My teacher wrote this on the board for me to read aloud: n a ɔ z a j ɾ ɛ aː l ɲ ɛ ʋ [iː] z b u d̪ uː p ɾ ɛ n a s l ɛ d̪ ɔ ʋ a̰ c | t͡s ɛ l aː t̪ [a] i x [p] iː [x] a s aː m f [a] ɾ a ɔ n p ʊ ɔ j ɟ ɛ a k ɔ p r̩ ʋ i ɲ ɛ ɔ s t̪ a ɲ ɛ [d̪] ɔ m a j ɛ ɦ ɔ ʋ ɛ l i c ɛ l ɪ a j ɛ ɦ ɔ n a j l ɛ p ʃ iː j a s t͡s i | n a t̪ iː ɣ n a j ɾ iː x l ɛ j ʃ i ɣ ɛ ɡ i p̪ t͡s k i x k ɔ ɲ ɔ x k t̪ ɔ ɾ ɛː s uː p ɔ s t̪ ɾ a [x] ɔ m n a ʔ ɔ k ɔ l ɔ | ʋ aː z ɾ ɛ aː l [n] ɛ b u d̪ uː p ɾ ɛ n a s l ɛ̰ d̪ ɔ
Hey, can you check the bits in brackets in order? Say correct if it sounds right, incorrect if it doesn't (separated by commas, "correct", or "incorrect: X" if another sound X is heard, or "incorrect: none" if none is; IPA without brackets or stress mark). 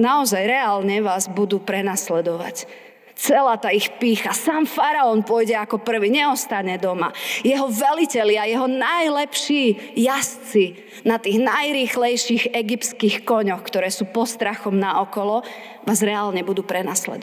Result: incorrect: aː, correct, correct, correct, correct, correct, correct, incorrect: ɲ